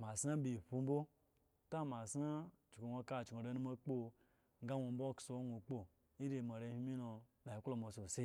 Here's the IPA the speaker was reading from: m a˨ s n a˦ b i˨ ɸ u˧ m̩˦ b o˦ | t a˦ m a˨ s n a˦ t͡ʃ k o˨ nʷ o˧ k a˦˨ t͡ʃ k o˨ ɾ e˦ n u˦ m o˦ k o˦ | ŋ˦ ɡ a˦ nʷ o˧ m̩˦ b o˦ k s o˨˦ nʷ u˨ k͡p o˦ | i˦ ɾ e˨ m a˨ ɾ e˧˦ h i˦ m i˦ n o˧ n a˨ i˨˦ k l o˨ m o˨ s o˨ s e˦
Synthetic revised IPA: m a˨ s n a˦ b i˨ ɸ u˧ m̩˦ b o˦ | t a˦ m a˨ s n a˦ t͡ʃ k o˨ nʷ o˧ k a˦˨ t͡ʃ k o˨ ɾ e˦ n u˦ m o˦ k͡p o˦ | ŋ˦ ɡ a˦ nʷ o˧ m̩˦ b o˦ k s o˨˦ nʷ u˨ k͡p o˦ | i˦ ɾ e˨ m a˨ ɾ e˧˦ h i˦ m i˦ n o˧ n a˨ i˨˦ k l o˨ m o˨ s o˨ s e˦